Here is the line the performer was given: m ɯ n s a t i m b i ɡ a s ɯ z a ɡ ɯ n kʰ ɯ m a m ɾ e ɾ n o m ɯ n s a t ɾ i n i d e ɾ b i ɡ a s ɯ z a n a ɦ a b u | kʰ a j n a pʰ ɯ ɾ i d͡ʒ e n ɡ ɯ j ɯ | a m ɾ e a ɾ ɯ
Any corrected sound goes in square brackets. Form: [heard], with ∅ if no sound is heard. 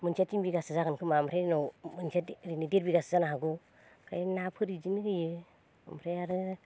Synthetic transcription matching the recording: m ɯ n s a t i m b i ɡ a s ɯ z a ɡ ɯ n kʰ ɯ m a m ɾ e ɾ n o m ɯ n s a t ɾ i n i d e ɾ b i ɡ a s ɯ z a n a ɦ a [ɡ] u | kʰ a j n a pʰ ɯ ɾ i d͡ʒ [i] n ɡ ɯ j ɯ | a m ɾ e a ɾ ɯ

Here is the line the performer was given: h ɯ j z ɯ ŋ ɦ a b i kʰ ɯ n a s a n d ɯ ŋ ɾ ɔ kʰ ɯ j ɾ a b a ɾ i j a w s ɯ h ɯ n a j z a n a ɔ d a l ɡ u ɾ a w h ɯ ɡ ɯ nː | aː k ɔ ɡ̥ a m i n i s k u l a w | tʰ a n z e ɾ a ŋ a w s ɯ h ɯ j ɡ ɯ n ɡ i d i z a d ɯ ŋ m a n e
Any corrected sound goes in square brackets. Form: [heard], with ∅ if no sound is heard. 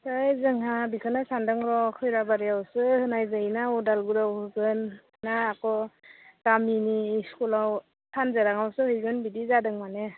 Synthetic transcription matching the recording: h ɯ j z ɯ ŋ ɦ a b i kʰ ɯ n a s a n d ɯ ŋ ɾ ɔ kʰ ɯ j ɾ a b a ɾ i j a w s ɯ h ɯ n a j z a n a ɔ d a l ɡ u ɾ a w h ɯ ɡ ɯ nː | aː k ɔ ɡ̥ a m i n i s k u l a w | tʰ a n z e ɾ a ŋ a w s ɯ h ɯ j ɡ ɯ n [b] i d i z a d ɯ ŋ m a n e

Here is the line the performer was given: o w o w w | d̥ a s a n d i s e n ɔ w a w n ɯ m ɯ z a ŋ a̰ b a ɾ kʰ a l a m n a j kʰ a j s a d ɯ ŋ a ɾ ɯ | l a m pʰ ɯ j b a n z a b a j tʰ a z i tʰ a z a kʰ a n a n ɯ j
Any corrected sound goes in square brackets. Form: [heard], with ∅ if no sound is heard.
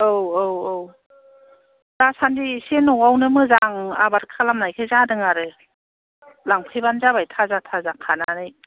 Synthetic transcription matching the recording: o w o w w | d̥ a s a n d i s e n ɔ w a w n ɯ m ɯ z a ŋ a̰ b a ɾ kʰ a l a m n a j kʰ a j [z] a d ɯ ŋ a ɾ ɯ | l a [ŋ] pʰ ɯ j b a n z a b a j tʰ a z [a] tʰ a z a kʰ a n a n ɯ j

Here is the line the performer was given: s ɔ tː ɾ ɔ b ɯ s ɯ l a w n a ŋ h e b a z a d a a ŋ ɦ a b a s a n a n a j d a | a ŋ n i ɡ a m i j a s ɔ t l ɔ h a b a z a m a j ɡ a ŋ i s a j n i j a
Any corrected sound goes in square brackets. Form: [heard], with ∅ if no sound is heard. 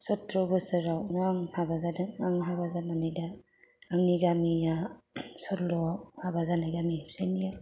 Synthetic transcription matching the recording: s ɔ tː ɾ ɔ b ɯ s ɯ [ɾ] a w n a ŋ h [a] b a z a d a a ŋ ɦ a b a [z] a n a n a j d a | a ŋ n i ɡ a m i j a s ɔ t l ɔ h a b a z a [n] a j ɡ a [m] i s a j n i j a

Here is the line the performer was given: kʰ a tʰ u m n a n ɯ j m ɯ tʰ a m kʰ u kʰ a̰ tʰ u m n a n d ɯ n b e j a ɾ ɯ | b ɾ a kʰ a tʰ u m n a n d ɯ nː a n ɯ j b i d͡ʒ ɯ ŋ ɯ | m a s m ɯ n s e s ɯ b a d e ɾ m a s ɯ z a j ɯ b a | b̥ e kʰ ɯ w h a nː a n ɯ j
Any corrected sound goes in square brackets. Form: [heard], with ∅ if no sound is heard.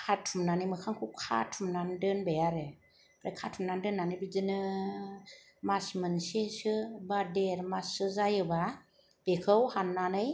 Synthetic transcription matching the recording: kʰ a tʰ u m n a n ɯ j m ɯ [kʰ] a [ŋ] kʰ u kʰ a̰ tʰ u m n a n d ɯ n b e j a ɾ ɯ | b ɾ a kʰ a tʰ u m n a n d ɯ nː a n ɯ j b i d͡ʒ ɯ [n] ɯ | m a s m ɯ n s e s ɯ b a d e ɾ m a s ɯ z a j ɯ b a | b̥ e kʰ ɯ w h a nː a n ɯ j

